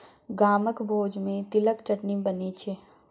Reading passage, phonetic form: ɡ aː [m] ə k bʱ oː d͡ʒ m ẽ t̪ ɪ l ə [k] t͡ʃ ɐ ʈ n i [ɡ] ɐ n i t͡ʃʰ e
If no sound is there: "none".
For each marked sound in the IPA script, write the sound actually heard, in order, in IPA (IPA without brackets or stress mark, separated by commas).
m, k, b